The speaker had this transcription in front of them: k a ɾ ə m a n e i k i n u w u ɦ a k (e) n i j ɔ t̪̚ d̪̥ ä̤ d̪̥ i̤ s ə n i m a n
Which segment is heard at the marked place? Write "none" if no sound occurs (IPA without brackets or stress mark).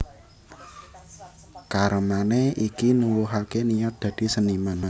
e